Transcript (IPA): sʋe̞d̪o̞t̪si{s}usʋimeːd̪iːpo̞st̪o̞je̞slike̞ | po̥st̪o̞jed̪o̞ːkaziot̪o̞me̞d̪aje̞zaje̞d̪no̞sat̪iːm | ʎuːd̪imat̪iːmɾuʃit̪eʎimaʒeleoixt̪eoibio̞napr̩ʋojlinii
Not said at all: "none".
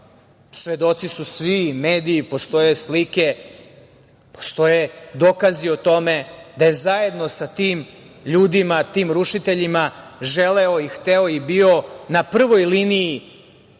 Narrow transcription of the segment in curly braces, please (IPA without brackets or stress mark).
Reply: s